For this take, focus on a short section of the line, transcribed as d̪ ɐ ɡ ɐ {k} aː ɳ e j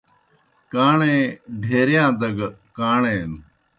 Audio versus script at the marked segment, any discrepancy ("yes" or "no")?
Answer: no